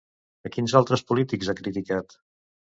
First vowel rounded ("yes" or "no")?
no